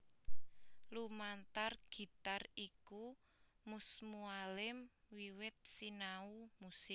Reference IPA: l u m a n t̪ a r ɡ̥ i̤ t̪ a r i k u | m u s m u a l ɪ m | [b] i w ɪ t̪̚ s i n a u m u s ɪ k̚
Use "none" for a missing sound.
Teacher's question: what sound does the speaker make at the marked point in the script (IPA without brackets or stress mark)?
w